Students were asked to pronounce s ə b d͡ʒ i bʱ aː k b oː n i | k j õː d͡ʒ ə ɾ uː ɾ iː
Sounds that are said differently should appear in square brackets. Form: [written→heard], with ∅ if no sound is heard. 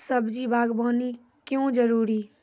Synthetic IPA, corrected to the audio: s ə b d͡ʒ i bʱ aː [k→ɡ] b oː n i | k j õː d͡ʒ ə ɾ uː ɾ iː

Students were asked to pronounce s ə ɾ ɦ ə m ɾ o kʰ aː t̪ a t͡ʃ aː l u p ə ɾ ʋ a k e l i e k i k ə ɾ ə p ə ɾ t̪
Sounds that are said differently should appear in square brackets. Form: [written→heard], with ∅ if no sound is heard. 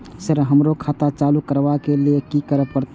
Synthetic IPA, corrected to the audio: s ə ɾ ɦ ə m ɾ o kʰ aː t̪ a t͡ʃ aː l u [p→k] ə ɾ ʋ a k e l i e k i k ə ɾ ə p ə ɾ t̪

